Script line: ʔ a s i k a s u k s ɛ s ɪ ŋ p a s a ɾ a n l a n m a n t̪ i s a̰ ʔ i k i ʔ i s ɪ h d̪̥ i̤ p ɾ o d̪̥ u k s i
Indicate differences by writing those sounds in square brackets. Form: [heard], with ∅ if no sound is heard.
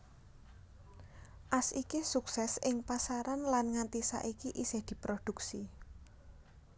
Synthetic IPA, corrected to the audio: ʔ a s i k [i] s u k s ɛ s ɪ ŋ p a s a ɾ a n l a n [ŋ] a n t̪ i s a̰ ʔ i k i ʔ i s ɪ h d̪̥ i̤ p ɾ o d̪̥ u k s i